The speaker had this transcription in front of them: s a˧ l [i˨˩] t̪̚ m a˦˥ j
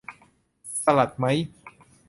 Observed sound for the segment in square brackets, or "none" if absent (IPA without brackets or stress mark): a˨˩